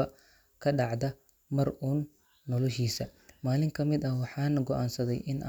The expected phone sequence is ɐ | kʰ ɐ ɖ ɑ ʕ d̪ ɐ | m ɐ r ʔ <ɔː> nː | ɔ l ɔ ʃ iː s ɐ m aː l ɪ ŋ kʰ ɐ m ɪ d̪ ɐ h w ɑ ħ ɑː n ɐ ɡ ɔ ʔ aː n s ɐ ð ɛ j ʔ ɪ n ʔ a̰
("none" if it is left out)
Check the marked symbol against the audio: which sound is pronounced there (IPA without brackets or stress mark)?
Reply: uː